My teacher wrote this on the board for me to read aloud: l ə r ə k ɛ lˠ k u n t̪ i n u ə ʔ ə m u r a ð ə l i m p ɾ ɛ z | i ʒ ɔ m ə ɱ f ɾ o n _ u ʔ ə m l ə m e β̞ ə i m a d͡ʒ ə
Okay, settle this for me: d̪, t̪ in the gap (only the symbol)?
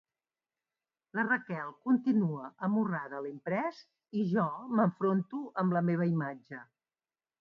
t̪